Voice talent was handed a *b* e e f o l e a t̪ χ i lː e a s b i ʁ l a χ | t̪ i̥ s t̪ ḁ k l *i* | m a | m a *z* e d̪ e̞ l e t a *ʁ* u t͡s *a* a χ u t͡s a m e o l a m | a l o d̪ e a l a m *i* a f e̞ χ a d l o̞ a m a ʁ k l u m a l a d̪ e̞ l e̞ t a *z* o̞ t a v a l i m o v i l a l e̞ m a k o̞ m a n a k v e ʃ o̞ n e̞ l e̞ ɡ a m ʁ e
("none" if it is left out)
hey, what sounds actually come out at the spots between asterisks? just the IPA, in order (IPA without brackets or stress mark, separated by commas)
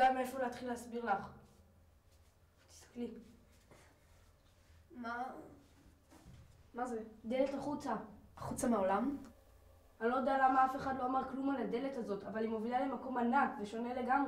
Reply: m, i, z, χ, a, a, z